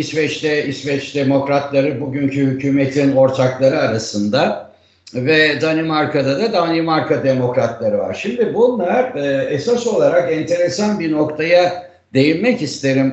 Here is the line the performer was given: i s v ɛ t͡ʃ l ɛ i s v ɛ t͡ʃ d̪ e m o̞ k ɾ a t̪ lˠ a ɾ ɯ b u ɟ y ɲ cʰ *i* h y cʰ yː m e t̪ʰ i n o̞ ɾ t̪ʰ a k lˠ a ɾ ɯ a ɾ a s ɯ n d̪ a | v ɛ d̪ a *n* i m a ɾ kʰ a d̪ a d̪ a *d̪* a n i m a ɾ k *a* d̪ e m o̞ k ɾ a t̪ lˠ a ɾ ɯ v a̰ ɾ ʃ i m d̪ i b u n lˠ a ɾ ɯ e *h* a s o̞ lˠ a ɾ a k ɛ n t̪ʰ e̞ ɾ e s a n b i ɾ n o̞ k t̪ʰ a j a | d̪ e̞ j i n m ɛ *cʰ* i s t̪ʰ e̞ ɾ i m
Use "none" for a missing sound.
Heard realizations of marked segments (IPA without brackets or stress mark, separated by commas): y, n, d̪, a, s, c